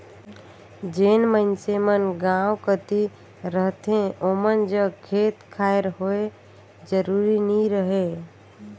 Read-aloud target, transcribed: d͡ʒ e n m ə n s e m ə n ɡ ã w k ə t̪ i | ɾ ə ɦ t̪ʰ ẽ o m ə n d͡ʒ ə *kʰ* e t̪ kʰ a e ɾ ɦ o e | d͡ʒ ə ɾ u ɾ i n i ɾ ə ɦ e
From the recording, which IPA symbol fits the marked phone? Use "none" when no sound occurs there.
kʰ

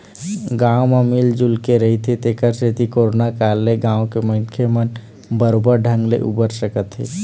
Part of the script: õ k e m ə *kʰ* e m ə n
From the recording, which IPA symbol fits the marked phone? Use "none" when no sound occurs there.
kʰ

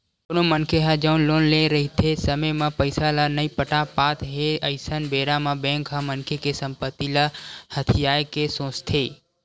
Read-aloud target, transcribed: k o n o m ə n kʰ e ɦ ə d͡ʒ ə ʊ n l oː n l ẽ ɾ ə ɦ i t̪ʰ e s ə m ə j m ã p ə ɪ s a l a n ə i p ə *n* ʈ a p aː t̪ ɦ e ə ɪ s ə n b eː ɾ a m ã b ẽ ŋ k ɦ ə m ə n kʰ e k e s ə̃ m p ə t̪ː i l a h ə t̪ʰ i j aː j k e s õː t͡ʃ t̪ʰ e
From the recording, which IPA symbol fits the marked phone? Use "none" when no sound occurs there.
none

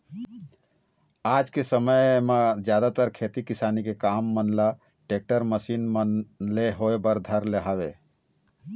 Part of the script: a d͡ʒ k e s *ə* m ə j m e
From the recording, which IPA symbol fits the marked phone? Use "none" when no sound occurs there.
ə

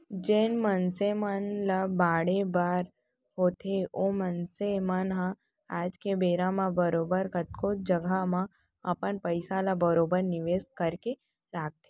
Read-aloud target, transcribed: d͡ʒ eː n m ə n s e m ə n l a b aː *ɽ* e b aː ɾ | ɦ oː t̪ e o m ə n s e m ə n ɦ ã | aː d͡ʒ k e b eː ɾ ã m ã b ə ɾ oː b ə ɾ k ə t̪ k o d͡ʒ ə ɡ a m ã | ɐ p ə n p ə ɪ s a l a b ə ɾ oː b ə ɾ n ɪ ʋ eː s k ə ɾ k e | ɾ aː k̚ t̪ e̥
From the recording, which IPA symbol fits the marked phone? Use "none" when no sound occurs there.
ɽ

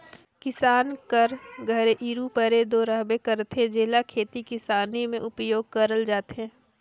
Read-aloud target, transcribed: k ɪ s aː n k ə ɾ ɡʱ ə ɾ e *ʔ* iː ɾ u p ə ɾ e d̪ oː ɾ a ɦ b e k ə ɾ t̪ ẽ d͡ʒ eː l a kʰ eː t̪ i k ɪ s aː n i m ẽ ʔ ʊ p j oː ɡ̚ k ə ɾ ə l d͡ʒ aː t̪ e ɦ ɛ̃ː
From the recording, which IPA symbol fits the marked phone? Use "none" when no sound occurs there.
ʔ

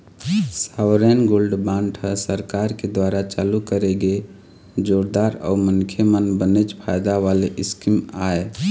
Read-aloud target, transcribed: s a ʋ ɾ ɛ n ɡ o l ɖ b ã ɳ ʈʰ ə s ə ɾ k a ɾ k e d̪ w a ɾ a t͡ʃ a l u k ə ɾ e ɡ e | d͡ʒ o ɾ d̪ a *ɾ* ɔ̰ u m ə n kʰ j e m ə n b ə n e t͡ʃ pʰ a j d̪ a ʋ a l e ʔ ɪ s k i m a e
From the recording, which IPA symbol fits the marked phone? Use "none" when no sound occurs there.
ɾ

